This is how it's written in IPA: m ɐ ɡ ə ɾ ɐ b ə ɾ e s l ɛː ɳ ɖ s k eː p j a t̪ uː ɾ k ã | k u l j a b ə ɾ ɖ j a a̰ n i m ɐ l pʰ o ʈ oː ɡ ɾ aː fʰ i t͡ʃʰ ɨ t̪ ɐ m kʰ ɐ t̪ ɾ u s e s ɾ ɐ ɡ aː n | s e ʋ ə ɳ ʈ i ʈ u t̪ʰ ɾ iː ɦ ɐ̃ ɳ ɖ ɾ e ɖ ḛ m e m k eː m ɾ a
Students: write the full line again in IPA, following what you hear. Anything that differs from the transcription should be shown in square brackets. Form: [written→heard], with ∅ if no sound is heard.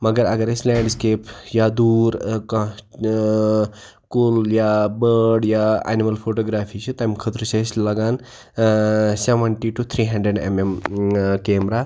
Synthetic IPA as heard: m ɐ ɡ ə ɾ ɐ [b→ɡ] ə ɾ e s l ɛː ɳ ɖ s k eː p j a [t̪→d̪] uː ɾ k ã | k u l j a b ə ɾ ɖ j a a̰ n i m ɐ l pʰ o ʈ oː ɡ ɾ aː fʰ i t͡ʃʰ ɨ t̪ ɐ m kʰ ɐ t̪ ɾ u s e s [ɾ→l] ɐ ɡ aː n | s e ʋ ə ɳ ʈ i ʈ u t̪ʰ ɾ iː ɦ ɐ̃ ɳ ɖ ɾ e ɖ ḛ m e m k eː m ɾ a

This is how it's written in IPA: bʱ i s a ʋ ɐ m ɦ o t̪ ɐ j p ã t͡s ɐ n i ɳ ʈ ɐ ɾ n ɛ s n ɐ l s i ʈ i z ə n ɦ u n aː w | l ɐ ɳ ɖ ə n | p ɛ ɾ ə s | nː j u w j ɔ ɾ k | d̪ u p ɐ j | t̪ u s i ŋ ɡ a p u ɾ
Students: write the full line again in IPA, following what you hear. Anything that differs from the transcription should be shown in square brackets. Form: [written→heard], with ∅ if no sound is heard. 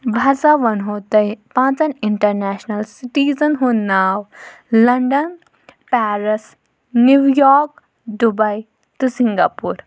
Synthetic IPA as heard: bʱ [i→a] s a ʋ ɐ [m→n] ɦ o t̪ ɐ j p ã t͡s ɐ n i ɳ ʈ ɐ ɾ n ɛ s n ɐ l s i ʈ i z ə n ɦ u n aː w | l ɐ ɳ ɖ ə n | p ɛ ɾ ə s | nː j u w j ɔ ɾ k | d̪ u [p→b] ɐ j | t̪ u s i ŋ ɡ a p u ɾ

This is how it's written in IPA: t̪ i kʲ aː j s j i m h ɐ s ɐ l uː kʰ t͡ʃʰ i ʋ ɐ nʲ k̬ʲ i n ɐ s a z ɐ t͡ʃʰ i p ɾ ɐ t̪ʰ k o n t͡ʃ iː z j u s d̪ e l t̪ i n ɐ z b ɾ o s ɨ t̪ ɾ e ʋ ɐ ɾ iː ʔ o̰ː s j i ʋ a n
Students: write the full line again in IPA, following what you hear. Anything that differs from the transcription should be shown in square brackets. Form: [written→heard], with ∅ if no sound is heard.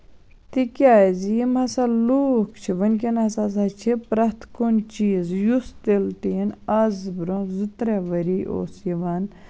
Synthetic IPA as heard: t̪ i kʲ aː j [s→z] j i m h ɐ s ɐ l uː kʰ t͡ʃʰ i ʋ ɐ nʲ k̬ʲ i n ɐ s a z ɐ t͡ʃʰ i p ɾ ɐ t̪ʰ k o n t͡ʃ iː z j u s [d̪→t̪] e l t̪ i n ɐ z b ɾ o [s→z] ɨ t̪ ɾ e ʋ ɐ ɾ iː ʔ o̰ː s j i ʋ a n

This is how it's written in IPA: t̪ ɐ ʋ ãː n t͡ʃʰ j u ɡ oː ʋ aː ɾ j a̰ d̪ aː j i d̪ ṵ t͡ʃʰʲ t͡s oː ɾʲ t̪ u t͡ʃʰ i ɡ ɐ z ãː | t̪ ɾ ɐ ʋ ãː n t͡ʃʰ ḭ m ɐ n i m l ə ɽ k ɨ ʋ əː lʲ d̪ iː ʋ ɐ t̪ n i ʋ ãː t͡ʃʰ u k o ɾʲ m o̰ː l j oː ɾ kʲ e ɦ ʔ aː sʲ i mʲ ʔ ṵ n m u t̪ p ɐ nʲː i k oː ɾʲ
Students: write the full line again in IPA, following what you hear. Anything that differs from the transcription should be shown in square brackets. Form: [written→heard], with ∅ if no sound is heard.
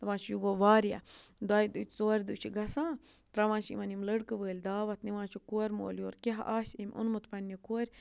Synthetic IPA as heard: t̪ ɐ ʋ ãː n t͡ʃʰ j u ɡ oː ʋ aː ɾ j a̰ d̪ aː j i d̪ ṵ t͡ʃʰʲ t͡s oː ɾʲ [t̪→d̪] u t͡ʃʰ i ɡ ɐ [z→s] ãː | t̪ ɾ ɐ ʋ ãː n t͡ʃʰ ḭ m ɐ n i m l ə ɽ k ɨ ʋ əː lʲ d̪ [iː→aː] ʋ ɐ t̪ n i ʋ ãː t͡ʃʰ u k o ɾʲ m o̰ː l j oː ɾ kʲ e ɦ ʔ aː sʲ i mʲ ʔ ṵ n m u t̪ p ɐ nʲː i k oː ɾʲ

